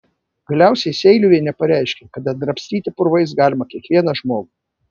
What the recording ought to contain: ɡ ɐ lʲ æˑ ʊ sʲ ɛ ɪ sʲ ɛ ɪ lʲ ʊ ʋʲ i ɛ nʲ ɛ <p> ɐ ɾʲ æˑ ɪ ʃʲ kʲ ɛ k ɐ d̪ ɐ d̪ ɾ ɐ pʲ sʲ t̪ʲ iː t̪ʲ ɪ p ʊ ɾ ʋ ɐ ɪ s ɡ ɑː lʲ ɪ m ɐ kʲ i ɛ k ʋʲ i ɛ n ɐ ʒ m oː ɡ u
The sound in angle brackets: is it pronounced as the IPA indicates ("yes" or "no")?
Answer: yes